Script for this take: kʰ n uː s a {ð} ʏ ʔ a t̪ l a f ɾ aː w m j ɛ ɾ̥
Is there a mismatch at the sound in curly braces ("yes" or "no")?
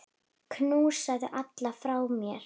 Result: no